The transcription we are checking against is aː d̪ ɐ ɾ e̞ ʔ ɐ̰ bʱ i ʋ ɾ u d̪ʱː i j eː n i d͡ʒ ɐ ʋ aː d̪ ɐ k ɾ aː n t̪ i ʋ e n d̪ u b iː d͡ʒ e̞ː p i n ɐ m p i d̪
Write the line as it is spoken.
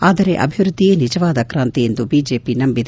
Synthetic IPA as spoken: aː d̪ ɐ ɾ e̞ ʔ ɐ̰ bʱ i ʋ ɾ u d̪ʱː i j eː n i d͡ʒ ɐ ʋ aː d̪ ɐ k ɾ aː n t̪ i e n d̪ u b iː d͡ʒ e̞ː p i n ɐ m b i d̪